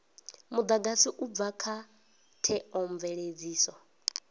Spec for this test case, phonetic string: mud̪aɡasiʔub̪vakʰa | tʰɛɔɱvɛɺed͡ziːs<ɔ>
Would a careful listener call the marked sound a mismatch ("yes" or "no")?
no